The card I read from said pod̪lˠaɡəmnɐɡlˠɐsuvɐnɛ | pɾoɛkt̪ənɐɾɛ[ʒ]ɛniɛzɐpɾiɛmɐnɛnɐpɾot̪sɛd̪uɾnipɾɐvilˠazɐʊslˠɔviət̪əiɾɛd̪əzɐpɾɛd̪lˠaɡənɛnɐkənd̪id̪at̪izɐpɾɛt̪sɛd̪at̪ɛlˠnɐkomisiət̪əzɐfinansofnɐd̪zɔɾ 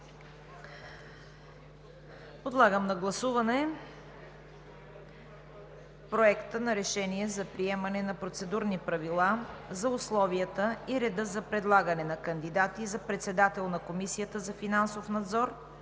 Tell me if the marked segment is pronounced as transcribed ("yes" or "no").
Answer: no